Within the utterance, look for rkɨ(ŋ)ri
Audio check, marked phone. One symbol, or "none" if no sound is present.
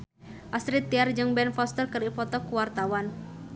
none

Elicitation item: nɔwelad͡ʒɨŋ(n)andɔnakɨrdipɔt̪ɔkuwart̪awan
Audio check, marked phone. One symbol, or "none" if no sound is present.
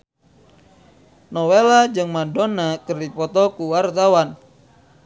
m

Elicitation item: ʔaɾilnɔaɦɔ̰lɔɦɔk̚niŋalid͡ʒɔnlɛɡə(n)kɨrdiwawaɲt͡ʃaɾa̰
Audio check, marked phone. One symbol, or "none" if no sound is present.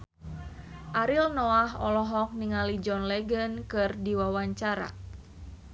n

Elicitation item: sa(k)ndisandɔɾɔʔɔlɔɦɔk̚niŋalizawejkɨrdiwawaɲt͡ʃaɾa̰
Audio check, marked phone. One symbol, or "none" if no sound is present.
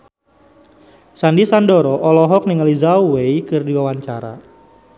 none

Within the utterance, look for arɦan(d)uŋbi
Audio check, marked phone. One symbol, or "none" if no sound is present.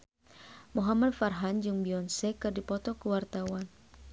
d͡ʒ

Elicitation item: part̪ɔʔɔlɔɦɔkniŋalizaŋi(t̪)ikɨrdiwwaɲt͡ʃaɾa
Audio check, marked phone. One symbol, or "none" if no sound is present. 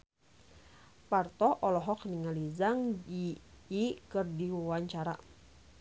none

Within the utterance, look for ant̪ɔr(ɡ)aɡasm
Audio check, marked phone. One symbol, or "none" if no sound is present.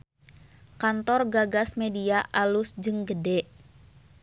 ɡ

